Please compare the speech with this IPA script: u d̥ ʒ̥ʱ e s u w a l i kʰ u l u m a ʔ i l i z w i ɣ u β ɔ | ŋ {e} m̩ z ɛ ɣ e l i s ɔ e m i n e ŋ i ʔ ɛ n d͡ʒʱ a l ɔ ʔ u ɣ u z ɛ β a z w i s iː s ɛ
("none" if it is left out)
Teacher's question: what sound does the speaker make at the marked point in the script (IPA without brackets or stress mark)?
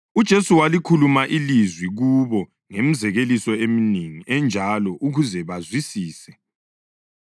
e